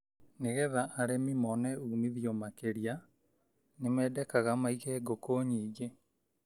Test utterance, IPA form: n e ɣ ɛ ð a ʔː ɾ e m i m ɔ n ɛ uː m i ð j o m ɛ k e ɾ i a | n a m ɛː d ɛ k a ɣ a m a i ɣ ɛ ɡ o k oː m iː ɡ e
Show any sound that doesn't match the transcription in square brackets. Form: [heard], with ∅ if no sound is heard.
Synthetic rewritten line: n e ɣ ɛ ð a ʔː ɾ e m i m ɔ n ɛ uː m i ð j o m [a] k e ɾ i a | n [e] m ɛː d ɛ k a ɣ a m a i ɣ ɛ ɡ o k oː [ɲ] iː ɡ e